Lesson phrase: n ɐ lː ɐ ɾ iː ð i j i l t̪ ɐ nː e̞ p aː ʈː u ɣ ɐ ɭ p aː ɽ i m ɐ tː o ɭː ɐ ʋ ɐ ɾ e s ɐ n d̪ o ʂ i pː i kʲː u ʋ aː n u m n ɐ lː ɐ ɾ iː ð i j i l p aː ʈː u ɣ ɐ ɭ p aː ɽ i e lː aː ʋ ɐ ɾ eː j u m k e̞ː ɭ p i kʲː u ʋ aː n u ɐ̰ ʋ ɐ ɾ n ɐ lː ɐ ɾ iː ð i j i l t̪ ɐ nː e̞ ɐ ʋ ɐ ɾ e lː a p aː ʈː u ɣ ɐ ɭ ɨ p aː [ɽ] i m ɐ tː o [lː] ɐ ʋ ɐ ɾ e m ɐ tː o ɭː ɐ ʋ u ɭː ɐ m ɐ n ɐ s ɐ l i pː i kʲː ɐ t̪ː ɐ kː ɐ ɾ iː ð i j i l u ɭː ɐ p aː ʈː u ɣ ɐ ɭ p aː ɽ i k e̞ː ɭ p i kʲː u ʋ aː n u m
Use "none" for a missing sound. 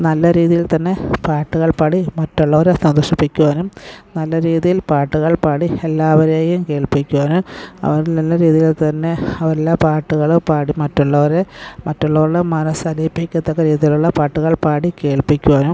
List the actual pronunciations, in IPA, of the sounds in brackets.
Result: ɽ, ɭː

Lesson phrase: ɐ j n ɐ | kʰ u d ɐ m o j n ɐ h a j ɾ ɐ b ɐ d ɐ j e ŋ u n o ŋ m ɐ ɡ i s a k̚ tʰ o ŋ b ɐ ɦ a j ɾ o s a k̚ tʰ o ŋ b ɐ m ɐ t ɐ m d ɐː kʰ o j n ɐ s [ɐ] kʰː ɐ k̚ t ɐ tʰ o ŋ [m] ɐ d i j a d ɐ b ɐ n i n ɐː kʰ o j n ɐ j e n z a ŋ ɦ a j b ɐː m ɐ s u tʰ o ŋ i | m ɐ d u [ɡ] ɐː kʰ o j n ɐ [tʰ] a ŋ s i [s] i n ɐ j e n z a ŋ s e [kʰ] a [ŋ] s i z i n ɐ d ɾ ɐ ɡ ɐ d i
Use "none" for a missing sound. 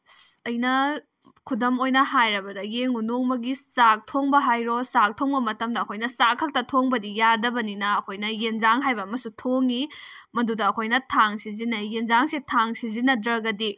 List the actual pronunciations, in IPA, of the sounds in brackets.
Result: a, b, d, tʰ, z, tʰ, ŋ

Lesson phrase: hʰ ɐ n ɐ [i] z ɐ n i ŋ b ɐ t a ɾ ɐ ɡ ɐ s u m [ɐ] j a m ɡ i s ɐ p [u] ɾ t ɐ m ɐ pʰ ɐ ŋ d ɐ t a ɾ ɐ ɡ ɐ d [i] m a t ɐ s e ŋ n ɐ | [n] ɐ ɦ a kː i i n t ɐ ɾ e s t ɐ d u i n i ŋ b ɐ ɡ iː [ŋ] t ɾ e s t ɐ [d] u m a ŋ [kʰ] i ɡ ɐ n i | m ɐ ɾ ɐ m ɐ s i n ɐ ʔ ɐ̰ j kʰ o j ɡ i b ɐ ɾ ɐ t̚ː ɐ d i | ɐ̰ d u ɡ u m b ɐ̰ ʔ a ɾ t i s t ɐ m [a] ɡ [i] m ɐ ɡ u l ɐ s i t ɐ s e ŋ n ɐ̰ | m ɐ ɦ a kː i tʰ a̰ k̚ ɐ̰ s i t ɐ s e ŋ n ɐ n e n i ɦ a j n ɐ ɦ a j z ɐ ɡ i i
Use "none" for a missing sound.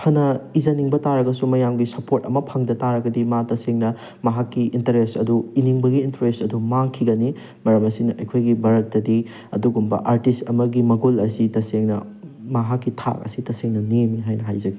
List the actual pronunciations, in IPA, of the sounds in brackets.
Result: i, ɐ, o, i, m, n, d, kʰ, ɐ, i

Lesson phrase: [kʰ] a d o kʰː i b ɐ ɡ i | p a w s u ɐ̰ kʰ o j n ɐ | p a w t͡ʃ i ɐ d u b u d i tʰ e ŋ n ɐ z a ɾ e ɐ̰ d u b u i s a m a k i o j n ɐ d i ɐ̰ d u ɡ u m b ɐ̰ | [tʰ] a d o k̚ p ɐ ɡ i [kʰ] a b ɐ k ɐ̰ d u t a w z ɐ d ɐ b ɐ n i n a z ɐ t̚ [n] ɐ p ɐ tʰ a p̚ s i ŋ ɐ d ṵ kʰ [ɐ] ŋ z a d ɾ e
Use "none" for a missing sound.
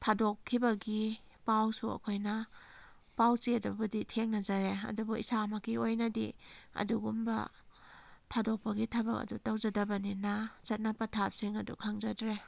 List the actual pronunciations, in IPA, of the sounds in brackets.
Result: tʰ, tʰ, tʰ, n, a

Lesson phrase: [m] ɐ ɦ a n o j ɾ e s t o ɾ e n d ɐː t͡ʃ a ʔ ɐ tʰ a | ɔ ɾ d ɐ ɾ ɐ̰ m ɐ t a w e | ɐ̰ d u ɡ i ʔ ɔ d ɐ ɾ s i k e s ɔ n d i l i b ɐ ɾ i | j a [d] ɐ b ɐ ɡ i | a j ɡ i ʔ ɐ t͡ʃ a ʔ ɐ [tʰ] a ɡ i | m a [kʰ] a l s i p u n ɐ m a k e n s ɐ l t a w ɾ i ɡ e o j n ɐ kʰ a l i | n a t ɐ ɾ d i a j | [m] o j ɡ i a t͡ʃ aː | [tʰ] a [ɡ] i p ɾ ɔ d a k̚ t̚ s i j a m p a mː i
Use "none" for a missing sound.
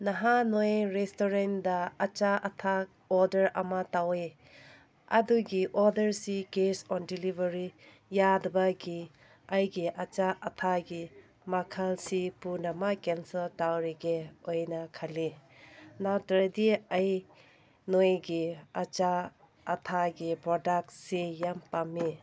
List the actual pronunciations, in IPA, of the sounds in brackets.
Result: n, d, tʰ, kʰ, n, tʰ, ɡ

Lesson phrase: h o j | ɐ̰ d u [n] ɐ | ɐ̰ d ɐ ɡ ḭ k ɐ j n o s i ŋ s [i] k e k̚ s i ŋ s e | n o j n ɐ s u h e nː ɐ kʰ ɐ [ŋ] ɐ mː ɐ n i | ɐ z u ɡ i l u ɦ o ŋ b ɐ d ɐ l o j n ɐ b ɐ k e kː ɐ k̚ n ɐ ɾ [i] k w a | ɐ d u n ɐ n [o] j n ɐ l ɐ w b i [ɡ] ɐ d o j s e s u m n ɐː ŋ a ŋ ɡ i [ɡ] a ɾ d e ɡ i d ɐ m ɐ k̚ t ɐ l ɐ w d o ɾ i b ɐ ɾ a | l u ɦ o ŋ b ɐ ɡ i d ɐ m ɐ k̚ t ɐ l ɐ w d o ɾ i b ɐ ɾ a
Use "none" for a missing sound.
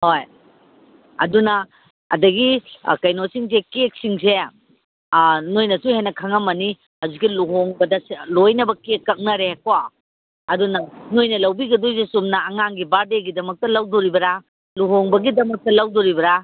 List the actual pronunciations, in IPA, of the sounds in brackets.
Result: n, e, ŋ, e, o, ɡ, b

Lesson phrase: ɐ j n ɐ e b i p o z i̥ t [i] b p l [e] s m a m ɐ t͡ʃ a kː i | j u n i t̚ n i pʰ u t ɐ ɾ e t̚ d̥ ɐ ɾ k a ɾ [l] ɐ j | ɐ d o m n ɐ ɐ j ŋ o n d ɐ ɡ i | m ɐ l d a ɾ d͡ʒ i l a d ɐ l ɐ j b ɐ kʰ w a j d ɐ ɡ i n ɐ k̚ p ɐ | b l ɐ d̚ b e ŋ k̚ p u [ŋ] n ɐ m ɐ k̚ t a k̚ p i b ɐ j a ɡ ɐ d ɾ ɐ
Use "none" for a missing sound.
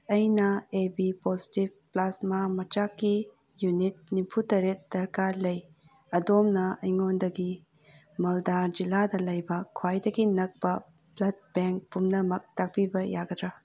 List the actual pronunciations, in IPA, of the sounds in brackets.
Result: i, a, l, m

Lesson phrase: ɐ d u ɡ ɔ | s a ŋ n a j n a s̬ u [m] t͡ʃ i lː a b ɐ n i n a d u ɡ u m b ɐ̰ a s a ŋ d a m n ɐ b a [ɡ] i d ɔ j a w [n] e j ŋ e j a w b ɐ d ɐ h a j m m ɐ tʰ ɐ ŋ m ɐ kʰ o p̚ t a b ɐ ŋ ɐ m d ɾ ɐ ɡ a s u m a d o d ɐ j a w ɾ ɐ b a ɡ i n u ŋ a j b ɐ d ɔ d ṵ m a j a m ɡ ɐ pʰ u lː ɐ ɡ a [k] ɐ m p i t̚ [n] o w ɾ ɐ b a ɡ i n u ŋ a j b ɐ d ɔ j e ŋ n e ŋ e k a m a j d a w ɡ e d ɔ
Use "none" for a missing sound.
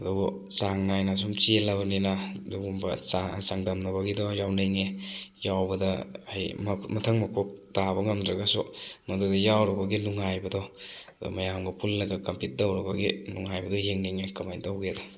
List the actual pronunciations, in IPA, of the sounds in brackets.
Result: m, ɡ, n, k, d

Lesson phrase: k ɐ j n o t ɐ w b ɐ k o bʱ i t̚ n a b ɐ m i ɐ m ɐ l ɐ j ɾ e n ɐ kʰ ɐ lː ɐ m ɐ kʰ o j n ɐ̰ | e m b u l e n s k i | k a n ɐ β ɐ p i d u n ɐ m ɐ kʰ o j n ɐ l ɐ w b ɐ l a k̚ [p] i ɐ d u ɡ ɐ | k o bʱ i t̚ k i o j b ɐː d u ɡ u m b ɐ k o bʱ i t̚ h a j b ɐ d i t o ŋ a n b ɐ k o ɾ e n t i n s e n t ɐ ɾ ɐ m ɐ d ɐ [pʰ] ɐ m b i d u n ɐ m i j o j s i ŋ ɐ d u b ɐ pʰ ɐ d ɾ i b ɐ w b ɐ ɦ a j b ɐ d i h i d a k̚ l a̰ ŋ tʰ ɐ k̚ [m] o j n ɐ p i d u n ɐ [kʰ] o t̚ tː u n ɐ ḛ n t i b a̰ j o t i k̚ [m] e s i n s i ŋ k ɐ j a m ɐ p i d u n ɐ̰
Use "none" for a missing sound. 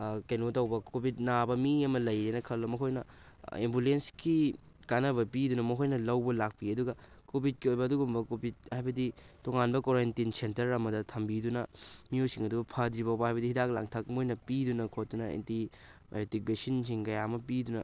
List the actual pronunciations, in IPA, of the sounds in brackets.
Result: p, tʰ, m, kʰ, b

